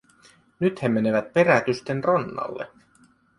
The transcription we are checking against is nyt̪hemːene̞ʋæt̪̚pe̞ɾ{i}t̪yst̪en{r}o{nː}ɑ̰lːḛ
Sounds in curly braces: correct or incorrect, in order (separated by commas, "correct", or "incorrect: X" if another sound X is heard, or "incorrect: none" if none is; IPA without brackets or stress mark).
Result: incorrect: æ, correct, correct